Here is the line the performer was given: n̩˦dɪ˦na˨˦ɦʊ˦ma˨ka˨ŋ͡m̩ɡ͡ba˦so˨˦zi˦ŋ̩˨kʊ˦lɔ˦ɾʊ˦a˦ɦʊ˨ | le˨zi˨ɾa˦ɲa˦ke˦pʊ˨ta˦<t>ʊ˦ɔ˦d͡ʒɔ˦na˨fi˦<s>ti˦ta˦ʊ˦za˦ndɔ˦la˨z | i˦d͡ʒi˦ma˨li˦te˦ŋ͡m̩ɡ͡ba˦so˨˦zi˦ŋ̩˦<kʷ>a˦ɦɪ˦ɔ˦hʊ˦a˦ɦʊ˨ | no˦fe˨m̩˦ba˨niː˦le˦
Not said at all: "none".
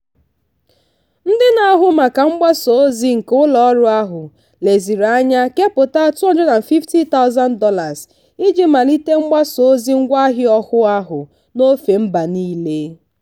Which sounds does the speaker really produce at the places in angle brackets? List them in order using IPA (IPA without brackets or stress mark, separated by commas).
t, f, ɡʷ